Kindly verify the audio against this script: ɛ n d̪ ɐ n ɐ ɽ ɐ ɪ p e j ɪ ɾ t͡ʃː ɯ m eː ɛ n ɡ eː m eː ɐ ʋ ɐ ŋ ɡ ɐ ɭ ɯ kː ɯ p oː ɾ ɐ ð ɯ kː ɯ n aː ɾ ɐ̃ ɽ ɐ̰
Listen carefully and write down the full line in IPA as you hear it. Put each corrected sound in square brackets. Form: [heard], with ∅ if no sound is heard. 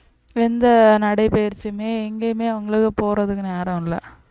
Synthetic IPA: ɛ n d̪ ɐ n ɐ ɽ ɐ ɪ p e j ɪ ɾ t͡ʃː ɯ m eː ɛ [ŋ] ɡ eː m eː ɐ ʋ ɐ ŋ ɡ ɐ ɭ ɯ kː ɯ p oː ɾ ɐ ð ɯ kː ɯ n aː ɾ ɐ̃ [l] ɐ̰

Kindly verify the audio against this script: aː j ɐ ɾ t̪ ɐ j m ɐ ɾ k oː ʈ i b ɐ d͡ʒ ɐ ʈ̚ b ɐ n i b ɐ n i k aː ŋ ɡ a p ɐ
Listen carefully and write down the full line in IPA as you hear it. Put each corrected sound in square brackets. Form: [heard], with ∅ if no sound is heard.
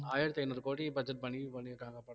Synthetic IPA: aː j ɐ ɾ t̪ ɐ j [n] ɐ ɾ k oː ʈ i b ɐ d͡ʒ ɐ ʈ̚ b ɐ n i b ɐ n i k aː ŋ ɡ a p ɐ

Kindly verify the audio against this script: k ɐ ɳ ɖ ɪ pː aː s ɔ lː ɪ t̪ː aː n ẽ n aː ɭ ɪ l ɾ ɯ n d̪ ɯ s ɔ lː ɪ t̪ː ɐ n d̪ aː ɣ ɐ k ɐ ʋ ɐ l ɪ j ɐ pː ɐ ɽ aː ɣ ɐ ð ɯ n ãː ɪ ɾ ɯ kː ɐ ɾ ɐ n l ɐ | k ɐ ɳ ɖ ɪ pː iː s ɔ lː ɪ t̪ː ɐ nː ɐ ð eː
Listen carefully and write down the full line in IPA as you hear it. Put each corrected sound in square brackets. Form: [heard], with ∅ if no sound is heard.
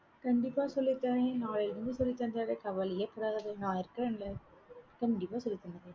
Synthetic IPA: k ɐ ɳ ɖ ɪ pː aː s ɔ lː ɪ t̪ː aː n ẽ n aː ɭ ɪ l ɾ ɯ n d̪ ɯ s ɔ lː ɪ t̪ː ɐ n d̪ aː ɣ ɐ k ɐ ʋ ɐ l ɪ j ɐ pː ɐ ɽ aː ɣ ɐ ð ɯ n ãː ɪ ɾ ɯ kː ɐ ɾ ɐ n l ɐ | k ɐ ɳ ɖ ɪ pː [aː] s ɔ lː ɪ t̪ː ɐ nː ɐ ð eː

